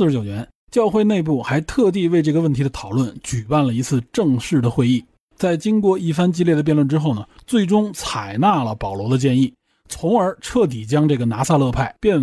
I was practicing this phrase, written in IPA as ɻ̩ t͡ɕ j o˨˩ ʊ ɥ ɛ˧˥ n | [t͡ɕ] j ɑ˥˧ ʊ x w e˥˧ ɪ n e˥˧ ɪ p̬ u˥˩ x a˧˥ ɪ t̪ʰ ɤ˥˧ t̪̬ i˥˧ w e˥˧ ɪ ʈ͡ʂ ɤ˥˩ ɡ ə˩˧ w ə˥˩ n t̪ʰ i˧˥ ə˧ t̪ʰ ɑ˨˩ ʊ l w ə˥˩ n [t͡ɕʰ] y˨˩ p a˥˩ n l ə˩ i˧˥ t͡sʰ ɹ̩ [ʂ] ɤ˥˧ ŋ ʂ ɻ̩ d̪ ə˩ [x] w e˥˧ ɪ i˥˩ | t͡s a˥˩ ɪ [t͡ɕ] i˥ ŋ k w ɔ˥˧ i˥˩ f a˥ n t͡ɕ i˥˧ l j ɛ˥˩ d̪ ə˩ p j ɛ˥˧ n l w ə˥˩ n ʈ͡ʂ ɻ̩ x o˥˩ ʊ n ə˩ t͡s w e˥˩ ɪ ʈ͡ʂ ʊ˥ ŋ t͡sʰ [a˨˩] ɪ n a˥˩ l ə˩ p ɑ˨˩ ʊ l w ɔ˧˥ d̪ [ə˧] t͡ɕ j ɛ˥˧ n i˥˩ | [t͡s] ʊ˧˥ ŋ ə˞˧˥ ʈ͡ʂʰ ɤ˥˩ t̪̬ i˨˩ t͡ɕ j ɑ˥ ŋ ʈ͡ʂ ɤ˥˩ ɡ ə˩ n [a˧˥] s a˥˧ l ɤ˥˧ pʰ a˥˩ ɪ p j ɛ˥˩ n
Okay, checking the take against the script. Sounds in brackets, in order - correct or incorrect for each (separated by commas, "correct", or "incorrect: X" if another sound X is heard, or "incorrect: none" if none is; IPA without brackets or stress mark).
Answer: correct, incorrect: t͡ɕ, incorrect: ʈ͡ʂ, correct, correct, correct, correct, incorrect: t͡sʰ, correct